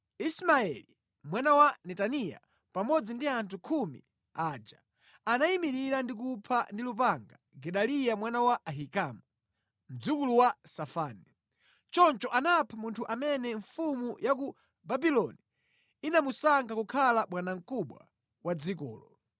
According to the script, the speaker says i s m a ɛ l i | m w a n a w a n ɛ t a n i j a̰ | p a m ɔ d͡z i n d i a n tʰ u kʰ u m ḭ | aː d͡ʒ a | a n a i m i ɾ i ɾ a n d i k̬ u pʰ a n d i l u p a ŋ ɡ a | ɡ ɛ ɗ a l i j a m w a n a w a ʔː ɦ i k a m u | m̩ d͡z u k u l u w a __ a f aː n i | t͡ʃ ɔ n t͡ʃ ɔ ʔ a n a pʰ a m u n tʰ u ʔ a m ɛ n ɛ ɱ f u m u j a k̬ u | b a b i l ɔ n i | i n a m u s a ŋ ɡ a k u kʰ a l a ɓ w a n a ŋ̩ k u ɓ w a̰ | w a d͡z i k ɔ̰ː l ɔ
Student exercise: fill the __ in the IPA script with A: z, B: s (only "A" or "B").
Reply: B